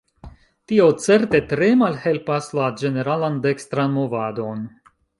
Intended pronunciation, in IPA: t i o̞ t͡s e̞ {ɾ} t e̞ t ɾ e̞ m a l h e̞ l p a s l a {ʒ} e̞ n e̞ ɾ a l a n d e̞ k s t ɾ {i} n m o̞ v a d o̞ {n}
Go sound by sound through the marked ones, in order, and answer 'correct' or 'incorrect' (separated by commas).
correct, incorrect, incorrect, correct